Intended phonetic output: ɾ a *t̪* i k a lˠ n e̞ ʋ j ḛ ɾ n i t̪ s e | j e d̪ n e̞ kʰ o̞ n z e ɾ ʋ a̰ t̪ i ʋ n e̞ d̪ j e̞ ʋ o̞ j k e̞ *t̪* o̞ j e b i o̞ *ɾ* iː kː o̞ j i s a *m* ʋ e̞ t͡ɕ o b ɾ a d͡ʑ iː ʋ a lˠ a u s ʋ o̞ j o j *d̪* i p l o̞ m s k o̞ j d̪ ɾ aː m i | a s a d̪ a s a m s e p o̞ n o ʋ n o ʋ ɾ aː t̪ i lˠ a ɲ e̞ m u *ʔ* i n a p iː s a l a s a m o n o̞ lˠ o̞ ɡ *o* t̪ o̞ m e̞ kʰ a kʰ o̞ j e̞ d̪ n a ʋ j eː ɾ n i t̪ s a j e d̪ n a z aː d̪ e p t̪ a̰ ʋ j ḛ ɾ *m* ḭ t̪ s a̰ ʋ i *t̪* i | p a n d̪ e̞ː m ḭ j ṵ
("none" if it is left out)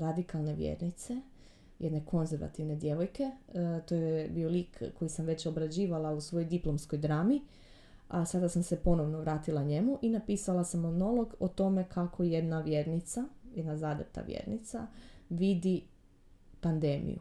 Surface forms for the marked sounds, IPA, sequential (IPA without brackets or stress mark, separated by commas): d̪, t̪, l, m, d̪, ʔ, o, n, d̪